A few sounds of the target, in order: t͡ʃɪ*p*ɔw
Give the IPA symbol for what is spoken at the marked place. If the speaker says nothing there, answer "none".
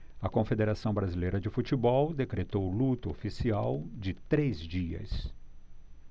b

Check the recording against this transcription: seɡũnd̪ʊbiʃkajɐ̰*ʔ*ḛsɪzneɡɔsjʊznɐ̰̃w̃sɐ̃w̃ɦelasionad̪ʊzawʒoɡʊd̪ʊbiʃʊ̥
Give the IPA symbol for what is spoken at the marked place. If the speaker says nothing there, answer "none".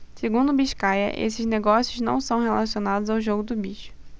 ʔ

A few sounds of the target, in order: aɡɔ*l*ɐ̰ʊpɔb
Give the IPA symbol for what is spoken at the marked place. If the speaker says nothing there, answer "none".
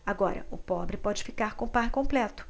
ɾ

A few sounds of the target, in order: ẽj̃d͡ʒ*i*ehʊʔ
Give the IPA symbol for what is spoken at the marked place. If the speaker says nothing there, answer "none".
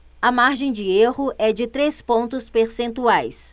ɪ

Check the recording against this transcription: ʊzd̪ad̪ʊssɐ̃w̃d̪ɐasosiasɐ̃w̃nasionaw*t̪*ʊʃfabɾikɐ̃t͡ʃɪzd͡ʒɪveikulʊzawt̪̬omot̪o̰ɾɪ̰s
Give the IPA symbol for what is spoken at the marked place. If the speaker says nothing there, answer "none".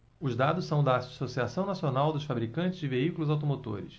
d̪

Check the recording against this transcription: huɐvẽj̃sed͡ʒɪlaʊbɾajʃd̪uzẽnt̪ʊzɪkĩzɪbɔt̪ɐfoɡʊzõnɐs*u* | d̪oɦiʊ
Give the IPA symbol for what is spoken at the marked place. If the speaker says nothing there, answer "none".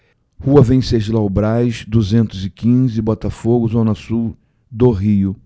u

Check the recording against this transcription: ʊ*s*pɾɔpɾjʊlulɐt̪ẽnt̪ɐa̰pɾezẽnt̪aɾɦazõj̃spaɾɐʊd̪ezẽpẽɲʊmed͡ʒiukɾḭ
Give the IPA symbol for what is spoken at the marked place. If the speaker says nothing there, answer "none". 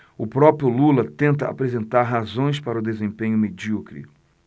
none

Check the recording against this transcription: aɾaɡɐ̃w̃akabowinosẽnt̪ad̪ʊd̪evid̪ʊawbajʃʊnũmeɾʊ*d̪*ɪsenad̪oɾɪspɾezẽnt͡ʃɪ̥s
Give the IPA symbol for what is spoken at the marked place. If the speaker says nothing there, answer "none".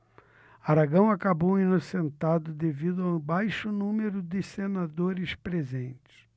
d̪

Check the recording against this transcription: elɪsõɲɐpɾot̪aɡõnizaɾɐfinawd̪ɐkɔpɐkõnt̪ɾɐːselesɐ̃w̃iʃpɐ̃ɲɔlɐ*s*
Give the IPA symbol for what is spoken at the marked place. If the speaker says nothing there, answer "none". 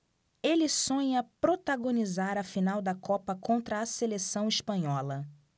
none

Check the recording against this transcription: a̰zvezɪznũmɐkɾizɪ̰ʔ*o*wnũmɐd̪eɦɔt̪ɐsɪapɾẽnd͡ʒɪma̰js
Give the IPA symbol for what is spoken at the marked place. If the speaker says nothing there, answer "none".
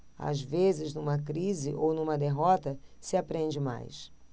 o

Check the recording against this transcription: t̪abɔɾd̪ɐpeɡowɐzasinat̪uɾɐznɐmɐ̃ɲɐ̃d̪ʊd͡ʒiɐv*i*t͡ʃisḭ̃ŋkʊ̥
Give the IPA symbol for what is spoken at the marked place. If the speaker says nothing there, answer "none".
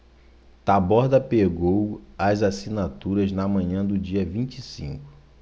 ĩ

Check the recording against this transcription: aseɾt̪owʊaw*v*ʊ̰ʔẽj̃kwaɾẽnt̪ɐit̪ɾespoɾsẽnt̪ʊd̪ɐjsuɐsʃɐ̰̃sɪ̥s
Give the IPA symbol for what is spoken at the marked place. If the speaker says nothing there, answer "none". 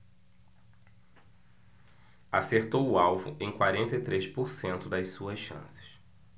v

